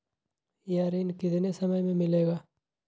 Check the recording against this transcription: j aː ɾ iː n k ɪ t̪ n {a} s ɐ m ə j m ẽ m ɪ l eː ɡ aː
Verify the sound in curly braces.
incorrect: e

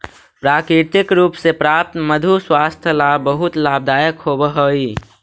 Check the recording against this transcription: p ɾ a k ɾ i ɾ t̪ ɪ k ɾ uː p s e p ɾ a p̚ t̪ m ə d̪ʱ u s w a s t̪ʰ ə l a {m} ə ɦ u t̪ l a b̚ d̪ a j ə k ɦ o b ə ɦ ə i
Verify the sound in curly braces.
incorrect: b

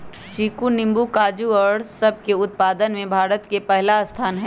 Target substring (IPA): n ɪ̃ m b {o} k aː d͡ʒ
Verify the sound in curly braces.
incorrect: u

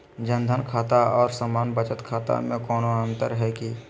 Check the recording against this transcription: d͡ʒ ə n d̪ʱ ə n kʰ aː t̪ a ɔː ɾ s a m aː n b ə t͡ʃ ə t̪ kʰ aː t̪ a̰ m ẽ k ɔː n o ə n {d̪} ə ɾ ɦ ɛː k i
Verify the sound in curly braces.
incorrect: t̪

